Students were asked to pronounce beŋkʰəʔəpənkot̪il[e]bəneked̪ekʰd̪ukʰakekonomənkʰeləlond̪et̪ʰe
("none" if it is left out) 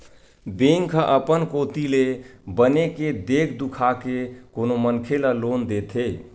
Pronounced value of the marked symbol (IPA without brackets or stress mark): e